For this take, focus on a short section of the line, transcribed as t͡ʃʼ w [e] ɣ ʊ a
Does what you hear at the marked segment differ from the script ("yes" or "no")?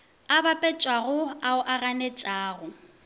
yes